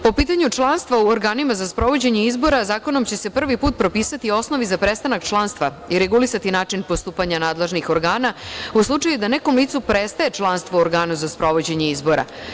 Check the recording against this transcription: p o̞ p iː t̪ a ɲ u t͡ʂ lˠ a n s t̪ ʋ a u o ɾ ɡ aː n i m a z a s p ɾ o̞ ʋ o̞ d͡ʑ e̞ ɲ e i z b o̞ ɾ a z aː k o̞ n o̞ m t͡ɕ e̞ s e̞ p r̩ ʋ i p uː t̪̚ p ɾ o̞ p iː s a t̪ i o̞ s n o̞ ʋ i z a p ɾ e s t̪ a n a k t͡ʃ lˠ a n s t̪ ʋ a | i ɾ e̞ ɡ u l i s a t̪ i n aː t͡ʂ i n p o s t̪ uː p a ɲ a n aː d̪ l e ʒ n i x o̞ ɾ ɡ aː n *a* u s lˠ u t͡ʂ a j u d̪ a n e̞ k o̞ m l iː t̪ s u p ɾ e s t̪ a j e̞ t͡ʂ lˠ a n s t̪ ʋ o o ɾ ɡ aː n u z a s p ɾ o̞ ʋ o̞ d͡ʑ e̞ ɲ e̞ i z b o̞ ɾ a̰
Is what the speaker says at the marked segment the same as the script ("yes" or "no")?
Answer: yes